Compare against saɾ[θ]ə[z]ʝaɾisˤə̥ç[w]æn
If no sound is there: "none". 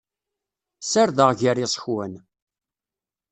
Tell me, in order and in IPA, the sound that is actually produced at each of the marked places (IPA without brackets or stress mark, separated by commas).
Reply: ð, ʁ, w